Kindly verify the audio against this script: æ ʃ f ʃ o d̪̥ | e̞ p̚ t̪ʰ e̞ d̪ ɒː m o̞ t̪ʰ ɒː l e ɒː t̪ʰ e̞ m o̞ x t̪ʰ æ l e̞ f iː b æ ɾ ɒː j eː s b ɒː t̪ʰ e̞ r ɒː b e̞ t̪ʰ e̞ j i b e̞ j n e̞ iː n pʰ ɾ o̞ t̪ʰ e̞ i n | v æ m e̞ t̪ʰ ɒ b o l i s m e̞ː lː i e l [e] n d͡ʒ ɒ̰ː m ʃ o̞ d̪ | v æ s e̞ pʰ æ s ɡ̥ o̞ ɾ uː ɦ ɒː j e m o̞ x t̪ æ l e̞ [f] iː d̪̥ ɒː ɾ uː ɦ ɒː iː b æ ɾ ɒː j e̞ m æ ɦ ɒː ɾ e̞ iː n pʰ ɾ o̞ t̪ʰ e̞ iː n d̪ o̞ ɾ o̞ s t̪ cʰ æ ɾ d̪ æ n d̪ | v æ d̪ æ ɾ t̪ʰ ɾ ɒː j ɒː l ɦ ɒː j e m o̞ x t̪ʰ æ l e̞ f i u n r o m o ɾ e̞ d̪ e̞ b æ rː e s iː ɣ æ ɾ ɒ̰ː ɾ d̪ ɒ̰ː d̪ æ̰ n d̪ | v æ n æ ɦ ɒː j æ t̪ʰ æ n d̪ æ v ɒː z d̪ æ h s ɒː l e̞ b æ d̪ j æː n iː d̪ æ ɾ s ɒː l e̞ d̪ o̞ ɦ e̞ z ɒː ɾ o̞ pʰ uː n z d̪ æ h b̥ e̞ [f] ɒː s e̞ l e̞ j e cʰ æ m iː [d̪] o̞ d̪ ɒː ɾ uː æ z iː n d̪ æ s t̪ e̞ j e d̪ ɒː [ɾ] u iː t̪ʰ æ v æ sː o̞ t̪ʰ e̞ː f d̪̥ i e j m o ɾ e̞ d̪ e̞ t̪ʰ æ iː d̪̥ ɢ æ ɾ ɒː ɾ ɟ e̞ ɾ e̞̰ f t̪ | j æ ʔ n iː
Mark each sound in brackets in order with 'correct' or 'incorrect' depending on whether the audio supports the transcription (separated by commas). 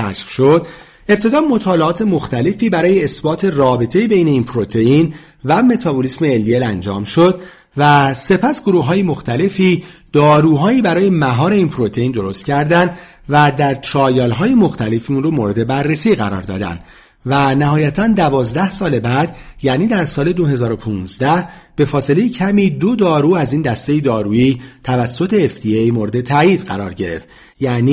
incorrect, correct, correct, correct, correct